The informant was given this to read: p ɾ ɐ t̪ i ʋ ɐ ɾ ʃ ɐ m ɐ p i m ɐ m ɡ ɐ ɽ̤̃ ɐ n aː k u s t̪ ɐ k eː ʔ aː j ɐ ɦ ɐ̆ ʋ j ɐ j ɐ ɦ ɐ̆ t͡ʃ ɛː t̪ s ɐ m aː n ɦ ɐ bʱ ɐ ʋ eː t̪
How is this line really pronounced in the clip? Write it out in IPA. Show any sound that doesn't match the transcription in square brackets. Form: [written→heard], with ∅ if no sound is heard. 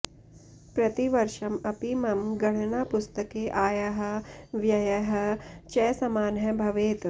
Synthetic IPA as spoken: p ɾ ɐ t̪ i ʋ ɐ ɾ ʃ ɐ m ɐ p i m ɐ m ɡ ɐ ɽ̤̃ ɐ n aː [k→p] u s t̪ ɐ k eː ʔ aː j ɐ ɦ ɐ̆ ʋ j ɐ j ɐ ɦ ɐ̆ t͡ʃ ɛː [t̪→∅] s ɐ m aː n ɦ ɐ bʱ ɐ ʋ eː t̪

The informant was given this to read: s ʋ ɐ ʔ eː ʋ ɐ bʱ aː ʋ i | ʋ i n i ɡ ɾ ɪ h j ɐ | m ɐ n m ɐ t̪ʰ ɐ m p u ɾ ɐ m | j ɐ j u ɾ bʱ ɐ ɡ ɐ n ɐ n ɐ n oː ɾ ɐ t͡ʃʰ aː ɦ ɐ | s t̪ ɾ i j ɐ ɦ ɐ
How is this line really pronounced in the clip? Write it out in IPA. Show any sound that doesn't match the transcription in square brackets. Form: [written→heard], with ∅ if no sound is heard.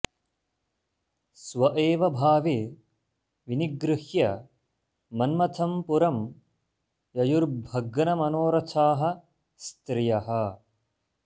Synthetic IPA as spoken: s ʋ ɐ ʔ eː ʋ ɐ bʱ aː ʋ i | ʋ i n i ɡ ɾ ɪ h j ɐ | m ɐ n m ɐ t̪ʰ ɐ m p u ɾ ɐ m | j ɐ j u ɾ bʱ ɐ ɡ ɐ n ɐ [n→m] ɐ n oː ɾ ɐ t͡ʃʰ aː ɦ ɐ | s t̪ ɾ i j ɐ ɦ ɐ

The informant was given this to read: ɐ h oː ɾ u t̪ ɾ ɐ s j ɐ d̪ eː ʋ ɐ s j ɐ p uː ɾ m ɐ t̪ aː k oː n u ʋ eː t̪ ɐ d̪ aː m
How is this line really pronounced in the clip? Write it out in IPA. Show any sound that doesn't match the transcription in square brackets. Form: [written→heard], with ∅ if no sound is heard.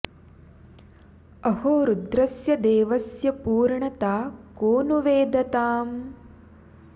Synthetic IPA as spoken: ɐ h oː ɾ u [t̪→d̪] ɾ ɐ s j ɐ d̪ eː ʋ ɐ s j ɐ p uː ɾ [m→ɳ] ɐ t̪ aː k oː n u ʋ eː [t̪→d̪] ɐ [d̪→t̪] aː m

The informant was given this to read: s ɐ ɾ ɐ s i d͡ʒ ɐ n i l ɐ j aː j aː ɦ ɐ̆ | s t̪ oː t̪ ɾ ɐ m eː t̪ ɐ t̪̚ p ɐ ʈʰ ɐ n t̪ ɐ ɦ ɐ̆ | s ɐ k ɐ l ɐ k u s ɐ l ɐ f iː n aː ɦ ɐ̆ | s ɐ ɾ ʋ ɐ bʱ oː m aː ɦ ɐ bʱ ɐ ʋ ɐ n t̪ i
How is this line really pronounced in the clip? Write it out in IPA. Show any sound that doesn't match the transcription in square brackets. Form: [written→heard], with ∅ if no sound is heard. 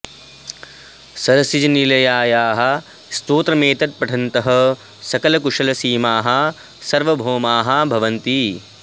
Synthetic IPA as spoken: s ɐ ɾ ɐ s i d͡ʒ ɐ n i l ɐ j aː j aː ɦ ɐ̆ | s t̪ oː t̪ ɾ ɐ m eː t̪ ɐ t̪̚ p ɐ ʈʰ ɐ n t̪ ɐ ɦ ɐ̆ | s ɐ k ɐ l ɐ k u [s→ʂ] ɐ l ɐ [f→s] iː [n→m] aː ɦ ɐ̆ | s ɐ ɾ ʋ ɐ bʱ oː m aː ɦ ɐ bʱ ɐ ʋ ɐ n t̪ i

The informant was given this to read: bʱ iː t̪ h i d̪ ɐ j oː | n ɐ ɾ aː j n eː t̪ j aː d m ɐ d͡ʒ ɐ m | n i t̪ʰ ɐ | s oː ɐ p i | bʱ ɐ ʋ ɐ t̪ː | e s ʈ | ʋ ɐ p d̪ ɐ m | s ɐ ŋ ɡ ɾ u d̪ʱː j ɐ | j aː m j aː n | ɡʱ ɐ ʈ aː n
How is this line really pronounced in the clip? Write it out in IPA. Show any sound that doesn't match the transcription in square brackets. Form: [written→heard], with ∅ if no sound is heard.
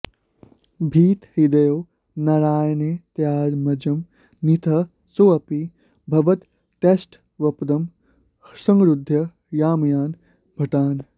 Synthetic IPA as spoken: bʱ iː t̪ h i d̪ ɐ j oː | n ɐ ɾ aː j n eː t̪ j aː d m ɐ d͡ʒ ɐ m | n i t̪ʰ ɐ | s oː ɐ p i | bʱ ɐ ʋ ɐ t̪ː | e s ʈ | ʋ ɐ p d̪ ɐ m | s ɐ ŋ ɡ ɾ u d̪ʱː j ɐ | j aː m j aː n | [ɡʱ→bʱ] ɐ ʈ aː n

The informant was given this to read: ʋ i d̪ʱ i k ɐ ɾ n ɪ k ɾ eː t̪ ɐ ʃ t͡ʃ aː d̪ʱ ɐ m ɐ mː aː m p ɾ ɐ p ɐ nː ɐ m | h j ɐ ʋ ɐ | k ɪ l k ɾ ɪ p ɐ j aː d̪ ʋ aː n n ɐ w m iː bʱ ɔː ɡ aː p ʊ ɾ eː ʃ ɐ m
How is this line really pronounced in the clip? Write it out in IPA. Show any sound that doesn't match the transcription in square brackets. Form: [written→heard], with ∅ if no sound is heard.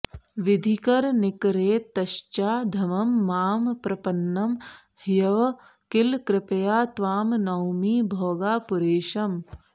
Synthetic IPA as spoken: ʋ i d̪ʱ i k ɐ ɾ n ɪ k ɾ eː t̪ ɐ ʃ t͡ʃ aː d̪ʱ ɐ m ɐ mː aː m p ɾ ɐ p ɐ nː ɐ m | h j ɐ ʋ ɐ | k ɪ l k ɾ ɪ p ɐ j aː [d̪→t̪] ʋ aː [n→m] n ɐ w m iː bʱ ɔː ɡ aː p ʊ ɾ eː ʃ ɐ m

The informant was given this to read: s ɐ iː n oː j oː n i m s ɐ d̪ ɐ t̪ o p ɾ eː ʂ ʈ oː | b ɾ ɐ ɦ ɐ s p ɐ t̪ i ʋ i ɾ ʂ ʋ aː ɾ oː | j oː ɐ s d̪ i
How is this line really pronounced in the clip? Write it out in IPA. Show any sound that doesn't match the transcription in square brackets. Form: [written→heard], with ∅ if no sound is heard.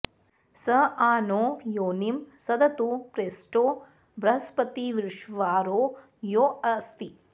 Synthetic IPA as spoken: s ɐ [iː→aː] n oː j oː n i m s ɐ d̪ ɐ t̪ [o→u] p ɾ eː [ʂ→s] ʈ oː | b ɾ ɐ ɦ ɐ s p ɐ t̪ i ʋ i ɾ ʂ ʋ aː ɾ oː | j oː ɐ s [d̪→t̪] i

